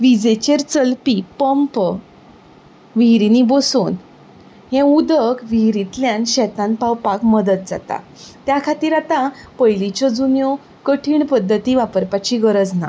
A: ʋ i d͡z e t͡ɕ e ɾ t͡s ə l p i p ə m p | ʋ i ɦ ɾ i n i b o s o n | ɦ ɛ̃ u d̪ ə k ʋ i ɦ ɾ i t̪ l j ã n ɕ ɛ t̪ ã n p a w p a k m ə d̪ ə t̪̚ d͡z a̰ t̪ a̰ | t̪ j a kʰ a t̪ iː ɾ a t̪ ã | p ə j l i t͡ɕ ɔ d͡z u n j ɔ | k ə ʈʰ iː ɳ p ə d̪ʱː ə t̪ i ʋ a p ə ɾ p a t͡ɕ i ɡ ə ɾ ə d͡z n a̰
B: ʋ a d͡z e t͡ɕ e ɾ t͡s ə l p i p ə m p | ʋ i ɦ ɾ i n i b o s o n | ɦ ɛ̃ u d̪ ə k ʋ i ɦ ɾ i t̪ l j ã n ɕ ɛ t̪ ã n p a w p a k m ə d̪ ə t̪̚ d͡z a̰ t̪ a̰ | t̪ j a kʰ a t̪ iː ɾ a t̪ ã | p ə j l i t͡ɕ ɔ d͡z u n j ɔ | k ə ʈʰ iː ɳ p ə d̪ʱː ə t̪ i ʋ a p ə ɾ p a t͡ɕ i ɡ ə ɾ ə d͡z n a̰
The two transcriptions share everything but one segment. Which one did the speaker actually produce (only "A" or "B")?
A